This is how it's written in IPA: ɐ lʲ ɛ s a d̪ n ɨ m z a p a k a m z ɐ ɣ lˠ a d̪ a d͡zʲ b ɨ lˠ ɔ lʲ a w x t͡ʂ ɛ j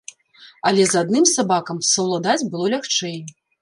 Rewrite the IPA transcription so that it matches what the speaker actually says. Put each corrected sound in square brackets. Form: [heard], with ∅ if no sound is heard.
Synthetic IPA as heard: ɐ lʲ ɛ [z] a d̪ n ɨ m [s] a [b] a k [ɐ] m [s] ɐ [w] lˠ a d̪ a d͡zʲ b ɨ lˠ ɔ lʲ a [∅] x t͡ʂ ɛ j